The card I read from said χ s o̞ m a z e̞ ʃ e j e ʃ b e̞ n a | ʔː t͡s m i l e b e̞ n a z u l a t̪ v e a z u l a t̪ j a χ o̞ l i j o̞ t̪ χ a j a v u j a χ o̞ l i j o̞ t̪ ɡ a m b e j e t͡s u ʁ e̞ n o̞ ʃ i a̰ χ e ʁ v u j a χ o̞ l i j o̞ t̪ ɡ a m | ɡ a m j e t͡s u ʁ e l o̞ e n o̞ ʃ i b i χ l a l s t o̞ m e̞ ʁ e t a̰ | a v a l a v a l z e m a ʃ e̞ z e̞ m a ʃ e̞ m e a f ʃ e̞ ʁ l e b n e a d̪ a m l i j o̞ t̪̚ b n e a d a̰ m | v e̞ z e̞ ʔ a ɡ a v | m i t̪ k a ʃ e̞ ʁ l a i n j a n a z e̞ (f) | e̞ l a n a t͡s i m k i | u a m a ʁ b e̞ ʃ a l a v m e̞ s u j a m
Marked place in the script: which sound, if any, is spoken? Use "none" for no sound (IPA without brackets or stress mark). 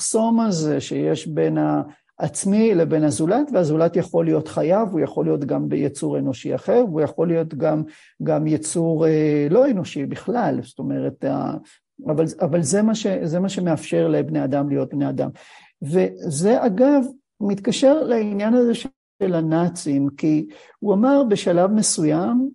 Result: ʃ